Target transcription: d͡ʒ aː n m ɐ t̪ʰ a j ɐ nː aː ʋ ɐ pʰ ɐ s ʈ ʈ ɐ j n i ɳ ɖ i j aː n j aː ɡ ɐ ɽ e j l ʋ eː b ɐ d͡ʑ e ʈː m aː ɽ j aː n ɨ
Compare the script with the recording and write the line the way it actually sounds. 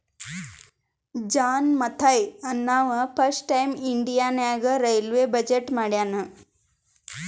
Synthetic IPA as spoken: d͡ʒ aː n m ɐ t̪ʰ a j ɐ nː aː ʋ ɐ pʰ ɐ s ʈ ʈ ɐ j m i ɳ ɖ i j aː n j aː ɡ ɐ ɾ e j l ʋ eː b ɐ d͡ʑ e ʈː m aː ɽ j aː n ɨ